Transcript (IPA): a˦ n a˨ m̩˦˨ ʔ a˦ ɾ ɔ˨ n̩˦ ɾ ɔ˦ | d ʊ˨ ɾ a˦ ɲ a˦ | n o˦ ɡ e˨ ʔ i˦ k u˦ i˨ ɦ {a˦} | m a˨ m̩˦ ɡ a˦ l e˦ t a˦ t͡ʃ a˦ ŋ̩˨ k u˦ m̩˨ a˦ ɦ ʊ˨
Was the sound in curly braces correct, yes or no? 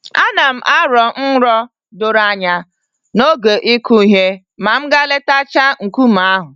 no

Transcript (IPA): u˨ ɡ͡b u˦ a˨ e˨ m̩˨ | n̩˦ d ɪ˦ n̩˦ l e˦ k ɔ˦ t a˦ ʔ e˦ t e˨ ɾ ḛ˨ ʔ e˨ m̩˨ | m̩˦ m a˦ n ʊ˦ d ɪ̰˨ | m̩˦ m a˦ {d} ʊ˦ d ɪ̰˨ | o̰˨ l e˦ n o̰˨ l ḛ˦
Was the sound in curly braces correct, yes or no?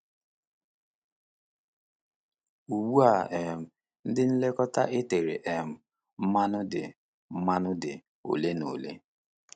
no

